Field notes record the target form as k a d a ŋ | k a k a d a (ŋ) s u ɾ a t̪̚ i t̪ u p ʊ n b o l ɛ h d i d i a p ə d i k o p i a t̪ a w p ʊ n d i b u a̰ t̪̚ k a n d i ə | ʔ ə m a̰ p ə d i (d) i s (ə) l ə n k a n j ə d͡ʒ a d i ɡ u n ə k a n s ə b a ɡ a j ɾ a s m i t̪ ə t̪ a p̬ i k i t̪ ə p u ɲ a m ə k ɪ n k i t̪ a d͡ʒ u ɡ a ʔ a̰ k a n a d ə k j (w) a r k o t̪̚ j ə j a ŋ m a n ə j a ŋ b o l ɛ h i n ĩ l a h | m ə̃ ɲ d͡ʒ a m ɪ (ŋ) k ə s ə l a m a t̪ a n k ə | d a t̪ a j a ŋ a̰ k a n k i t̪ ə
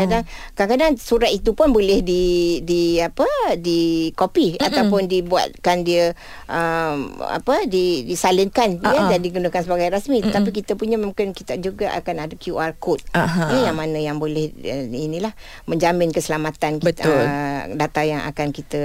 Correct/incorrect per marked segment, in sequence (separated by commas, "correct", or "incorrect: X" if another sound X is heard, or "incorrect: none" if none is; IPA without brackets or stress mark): correct, correct, incorrect: a, incorrect: u, incorrect: n